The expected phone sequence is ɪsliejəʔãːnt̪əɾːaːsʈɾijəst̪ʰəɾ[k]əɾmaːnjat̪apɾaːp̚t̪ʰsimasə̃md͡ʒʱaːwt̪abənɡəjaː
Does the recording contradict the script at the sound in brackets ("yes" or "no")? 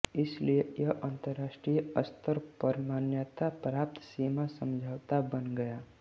yes